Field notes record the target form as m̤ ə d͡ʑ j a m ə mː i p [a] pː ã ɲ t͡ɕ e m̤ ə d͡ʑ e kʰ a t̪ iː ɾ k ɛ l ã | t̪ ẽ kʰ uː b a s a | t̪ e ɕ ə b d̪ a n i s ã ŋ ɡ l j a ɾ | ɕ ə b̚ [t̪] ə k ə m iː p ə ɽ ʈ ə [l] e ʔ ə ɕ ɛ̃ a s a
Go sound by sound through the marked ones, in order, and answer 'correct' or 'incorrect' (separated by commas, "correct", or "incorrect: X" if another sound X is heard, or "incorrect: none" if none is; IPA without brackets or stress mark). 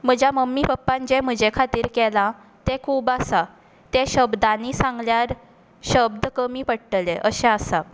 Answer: incorrect: ə, incorrect: d̪, correct